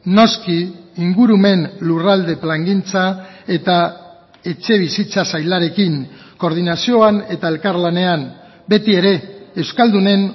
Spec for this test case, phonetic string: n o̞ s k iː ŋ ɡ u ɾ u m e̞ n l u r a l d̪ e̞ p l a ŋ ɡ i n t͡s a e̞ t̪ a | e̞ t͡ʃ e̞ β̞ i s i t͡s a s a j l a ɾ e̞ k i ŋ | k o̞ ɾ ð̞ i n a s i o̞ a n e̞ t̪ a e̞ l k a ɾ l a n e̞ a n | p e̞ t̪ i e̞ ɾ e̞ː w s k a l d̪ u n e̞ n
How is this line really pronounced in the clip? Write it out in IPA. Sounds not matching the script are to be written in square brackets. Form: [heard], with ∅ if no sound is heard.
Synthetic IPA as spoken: n o̞ s k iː ŋ ɡ u ɾ u m e̞ n l u r a l d̪ e̞ p l a ŋ ɡ i n t͡s a e̞ t̪ a | e̞ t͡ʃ e̞ β̞ i s i t͡s a s a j l a ɾ e̞ k i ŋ | k o̞ ɾ ð̞ i n a s i o̞ a n e̞ t̪ a e̞ l k a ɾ l a n e̞ a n | [b] e̞ t̪ i e̞ ɾ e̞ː w s k a l d̪ u n e̞ n